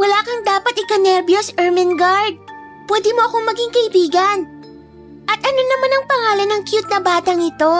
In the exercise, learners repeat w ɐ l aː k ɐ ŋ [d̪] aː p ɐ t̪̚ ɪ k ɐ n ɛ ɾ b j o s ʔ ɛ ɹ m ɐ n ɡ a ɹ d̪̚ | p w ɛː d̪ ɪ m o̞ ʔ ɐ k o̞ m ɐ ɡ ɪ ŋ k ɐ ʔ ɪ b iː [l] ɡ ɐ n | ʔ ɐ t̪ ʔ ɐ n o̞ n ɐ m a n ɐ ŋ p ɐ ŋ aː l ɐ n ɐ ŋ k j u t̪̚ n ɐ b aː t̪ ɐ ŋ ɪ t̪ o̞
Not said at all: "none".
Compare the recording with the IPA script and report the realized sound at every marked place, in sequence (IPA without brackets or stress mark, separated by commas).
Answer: d̪, none